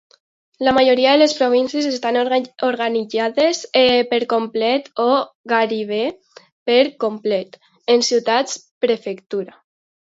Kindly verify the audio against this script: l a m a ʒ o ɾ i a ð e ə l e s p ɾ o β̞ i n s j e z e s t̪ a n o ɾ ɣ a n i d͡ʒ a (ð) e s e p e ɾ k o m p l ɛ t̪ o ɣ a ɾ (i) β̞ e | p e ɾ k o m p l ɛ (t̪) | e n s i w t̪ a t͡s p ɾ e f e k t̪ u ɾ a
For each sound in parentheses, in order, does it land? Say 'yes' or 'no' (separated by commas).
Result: yes, yes, yes